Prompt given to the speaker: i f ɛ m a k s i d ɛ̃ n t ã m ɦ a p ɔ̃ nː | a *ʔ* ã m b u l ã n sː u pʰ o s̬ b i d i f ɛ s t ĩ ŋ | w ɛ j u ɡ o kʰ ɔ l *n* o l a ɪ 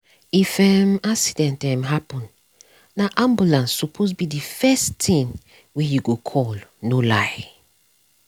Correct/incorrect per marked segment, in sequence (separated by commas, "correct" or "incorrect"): correct, correct